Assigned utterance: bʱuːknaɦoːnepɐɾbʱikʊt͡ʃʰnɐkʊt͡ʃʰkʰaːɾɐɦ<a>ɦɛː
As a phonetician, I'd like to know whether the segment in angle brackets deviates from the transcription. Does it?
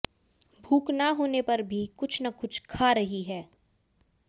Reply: yes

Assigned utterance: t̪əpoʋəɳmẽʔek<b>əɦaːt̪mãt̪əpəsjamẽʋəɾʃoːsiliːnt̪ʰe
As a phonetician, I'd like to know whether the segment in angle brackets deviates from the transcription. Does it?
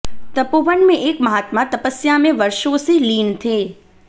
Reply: yes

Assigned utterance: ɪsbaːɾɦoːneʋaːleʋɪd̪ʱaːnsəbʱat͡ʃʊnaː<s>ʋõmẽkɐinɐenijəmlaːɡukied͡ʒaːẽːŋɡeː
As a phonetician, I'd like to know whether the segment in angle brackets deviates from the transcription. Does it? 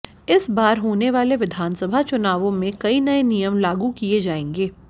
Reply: yes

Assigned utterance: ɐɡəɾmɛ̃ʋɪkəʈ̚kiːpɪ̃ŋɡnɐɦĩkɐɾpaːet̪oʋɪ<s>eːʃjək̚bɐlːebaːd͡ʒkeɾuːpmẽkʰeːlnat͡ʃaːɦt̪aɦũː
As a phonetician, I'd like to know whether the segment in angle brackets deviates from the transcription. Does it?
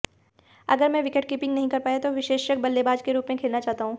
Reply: yes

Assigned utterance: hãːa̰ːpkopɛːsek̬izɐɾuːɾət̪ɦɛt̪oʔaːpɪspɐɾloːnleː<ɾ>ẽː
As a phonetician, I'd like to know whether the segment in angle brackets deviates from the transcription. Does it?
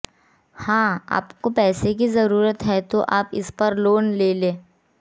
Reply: yes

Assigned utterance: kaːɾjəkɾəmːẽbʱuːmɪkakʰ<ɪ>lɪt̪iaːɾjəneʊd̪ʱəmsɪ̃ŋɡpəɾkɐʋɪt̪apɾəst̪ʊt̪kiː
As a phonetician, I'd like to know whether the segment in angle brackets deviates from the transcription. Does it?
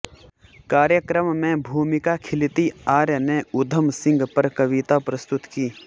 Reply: no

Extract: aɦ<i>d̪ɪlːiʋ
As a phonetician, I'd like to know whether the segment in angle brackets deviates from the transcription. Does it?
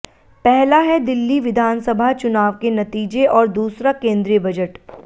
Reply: yes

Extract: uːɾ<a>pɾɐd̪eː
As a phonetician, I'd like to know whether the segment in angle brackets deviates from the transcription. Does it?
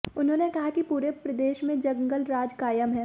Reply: yes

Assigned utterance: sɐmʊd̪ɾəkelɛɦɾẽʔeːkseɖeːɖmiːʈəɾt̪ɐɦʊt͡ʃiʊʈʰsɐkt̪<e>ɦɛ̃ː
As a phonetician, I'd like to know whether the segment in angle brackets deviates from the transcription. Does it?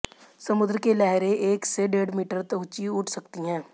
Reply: yes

